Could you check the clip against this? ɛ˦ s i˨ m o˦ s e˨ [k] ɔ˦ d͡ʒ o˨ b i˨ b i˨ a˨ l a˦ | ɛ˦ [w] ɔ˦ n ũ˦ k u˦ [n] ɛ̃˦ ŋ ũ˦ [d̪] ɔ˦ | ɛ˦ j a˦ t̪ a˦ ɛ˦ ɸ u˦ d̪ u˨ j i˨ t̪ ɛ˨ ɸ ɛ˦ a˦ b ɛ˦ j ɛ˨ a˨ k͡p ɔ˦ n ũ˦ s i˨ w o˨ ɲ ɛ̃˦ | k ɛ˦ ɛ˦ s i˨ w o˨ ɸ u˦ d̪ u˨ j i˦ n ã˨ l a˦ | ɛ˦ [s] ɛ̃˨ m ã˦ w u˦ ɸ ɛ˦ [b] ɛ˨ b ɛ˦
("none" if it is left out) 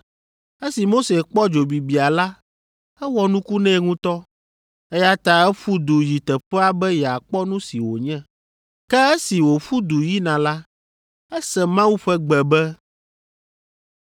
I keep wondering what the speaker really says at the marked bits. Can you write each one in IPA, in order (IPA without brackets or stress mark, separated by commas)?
k͡p, w, n, t̪, s, ɡ͡b